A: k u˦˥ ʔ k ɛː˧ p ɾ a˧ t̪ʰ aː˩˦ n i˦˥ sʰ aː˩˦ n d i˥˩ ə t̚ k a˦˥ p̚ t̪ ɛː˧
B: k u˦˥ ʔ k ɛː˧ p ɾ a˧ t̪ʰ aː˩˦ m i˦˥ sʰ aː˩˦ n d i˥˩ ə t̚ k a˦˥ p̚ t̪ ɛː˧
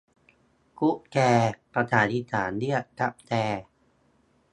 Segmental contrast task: A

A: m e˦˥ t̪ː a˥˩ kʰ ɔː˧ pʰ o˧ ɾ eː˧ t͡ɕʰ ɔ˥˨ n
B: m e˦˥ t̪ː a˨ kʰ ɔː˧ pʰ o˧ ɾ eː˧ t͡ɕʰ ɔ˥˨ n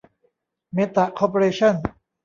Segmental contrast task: B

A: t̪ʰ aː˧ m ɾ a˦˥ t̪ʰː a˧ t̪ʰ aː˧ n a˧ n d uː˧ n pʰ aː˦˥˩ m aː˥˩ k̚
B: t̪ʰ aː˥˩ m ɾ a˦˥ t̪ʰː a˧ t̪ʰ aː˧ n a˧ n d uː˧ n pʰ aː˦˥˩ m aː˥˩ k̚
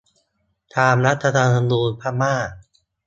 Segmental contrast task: A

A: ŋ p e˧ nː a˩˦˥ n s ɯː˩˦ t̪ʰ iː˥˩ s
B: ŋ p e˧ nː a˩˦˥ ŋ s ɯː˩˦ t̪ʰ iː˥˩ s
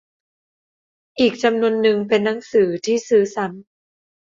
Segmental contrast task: B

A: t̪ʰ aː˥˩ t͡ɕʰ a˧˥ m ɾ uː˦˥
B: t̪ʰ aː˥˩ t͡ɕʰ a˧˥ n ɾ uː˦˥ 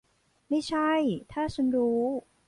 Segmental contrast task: B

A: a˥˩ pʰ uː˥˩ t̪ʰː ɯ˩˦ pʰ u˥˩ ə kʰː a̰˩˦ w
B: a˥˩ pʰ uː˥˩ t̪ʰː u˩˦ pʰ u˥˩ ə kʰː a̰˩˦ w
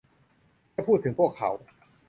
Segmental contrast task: A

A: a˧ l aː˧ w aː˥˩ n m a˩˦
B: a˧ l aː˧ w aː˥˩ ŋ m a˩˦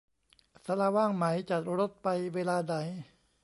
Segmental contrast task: B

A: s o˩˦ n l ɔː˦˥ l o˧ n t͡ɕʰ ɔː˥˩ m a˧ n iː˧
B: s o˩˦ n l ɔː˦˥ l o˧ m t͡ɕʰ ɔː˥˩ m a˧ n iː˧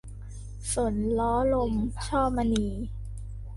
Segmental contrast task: B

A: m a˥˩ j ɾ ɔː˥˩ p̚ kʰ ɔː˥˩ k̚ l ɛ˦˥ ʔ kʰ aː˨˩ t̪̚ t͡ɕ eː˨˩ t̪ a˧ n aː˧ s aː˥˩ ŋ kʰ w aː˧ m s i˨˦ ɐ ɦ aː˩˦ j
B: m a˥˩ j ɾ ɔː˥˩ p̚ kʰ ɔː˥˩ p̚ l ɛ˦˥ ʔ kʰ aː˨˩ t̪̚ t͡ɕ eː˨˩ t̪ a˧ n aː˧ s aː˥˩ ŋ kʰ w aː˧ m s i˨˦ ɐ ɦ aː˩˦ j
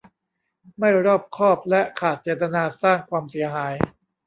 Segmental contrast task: B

